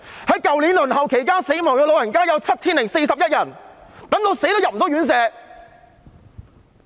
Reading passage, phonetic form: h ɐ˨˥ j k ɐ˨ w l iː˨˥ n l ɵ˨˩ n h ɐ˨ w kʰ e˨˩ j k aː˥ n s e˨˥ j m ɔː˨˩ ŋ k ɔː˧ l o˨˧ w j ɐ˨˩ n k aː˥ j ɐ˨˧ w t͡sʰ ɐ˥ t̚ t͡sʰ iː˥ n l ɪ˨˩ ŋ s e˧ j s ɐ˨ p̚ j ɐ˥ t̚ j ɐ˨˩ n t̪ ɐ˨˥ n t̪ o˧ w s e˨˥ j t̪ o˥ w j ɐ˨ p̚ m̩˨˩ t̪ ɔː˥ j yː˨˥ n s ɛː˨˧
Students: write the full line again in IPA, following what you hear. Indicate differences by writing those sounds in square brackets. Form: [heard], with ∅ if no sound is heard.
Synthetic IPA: h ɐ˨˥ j k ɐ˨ w l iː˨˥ n l ɵ˨˩ n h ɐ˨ w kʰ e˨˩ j k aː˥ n s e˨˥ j m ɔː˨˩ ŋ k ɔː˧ l o˨˧ w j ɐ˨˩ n k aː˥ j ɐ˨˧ w t͡sʰ ɐ˥ t̚ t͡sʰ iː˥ n l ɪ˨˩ ŋ s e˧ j s ɐ˨ p̚ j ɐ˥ t̚ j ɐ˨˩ n t̪ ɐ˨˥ [ŋ] t̪ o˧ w s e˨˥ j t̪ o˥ w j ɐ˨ p̚ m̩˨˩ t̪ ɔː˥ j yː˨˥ n s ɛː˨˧

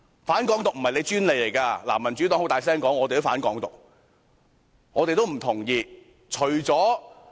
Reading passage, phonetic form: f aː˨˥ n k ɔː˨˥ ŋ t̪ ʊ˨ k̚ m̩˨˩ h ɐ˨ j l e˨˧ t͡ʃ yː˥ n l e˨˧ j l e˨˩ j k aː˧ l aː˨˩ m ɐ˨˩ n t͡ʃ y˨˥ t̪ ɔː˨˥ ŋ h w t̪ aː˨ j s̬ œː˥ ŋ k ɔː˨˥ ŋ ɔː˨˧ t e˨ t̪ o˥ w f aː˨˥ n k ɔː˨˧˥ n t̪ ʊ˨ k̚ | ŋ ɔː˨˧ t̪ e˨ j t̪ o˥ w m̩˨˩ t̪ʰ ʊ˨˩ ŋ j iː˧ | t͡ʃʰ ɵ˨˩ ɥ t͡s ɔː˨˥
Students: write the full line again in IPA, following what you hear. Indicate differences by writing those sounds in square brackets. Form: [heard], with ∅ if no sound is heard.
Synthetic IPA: f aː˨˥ n k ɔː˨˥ ŋ t̪ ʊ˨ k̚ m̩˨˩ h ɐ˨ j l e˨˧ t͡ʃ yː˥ n l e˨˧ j l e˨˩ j k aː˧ l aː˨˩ m ɐ˨˩ n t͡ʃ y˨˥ t̪ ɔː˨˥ ŋ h w t̪ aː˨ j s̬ [ɛː˥] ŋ k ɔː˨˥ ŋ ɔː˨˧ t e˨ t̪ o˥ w f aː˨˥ n k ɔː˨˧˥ [ŋ] t̪ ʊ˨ k̚ | ŋ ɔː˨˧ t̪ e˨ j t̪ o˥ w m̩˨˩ t̪ʰ ʊ˨˩ ŋ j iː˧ | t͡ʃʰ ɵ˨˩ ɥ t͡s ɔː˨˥

